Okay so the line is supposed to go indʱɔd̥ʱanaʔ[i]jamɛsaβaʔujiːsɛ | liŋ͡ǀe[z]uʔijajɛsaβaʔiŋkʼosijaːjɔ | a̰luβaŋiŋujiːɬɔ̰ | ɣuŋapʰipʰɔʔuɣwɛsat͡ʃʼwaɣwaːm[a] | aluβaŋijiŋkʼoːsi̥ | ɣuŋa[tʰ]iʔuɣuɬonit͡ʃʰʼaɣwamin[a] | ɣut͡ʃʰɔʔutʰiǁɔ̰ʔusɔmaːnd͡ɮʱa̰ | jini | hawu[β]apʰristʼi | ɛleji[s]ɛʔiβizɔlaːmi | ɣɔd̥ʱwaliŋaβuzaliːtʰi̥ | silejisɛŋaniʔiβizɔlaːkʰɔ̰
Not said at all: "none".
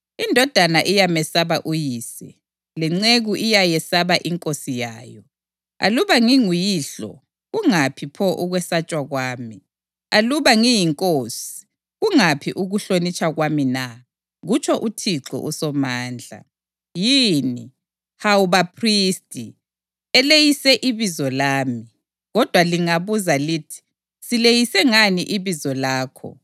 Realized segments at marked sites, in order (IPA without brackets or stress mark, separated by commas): i, ɣ, i, pʰ, a, β, s